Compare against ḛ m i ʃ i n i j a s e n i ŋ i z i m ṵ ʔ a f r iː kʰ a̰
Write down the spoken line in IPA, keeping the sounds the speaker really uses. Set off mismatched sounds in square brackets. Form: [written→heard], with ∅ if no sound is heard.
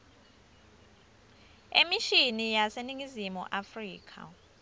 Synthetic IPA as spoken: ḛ m i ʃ i n i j a s e n i ŋ i z i m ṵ ʔ a f r iː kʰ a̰